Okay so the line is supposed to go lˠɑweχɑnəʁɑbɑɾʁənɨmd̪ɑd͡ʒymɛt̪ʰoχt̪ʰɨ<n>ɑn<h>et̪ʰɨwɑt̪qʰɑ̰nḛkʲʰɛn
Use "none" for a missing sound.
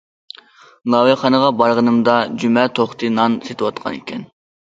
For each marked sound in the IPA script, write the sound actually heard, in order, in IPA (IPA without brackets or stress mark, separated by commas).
n, s